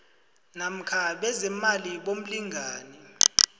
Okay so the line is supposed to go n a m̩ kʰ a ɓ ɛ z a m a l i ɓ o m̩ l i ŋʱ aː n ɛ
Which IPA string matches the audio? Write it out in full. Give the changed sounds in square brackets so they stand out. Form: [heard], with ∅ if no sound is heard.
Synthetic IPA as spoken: n a m̩ kʰ a ɓ ɛ z [ɛ] m a l i ɓ o m̩ l i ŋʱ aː n ɛ